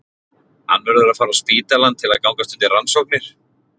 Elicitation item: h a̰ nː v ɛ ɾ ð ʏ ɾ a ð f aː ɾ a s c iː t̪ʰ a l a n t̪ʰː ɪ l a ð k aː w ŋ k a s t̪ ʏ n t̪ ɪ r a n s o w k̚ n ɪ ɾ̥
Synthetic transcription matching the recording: h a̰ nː v ɛ ɾ ð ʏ ɾ a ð f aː ɾ a s p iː t̪ a l a n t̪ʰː ɪ l a ð k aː w ŋ k a s t̪ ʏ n t̪ ɪ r a n s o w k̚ n ɪ ɾ̥